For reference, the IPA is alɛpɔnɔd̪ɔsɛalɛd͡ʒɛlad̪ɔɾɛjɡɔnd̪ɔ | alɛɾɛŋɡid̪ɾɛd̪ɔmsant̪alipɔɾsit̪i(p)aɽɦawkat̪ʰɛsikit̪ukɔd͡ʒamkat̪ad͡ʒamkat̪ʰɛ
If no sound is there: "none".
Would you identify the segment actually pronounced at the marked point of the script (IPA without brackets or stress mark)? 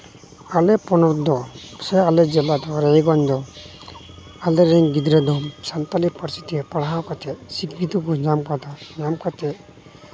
p